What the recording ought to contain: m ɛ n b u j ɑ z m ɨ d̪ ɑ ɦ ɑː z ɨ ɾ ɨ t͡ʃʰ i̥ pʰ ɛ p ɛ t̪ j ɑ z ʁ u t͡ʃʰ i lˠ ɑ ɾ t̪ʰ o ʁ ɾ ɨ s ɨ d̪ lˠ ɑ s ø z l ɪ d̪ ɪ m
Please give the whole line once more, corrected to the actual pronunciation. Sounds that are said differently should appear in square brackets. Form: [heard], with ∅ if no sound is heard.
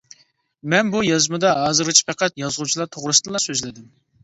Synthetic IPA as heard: m ɛ n b u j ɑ z m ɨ d̪ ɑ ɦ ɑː z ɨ ɾ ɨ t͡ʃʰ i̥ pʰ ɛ [q] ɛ t̪ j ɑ z ʁ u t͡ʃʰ i lˠ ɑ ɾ t̪ʰ o ʁ ɾ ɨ s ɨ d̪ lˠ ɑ s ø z l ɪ d̪ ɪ m